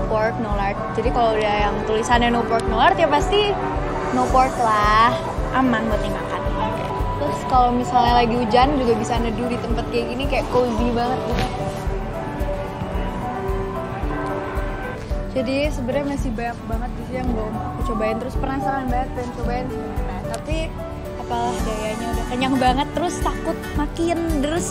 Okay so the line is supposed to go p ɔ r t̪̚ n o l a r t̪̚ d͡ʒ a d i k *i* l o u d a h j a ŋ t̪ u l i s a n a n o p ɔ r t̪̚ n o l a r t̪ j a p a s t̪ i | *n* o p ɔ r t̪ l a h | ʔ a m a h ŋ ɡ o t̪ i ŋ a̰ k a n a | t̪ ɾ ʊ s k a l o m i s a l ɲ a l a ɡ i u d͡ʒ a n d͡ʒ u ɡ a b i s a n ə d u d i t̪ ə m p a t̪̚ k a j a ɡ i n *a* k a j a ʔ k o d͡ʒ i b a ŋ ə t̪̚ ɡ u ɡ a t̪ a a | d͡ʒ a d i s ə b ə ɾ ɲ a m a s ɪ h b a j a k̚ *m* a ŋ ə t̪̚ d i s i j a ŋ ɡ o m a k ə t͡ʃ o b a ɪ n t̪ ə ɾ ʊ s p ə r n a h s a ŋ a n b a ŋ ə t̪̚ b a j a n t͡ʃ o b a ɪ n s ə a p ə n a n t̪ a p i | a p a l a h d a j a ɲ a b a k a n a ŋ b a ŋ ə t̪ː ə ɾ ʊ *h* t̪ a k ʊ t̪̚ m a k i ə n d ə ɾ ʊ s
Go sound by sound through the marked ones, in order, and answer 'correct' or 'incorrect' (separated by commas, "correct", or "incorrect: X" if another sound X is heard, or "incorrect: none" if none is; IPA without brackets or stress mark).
incorrect: a, correct, incorrect: i, incorrect: b, incorrect: s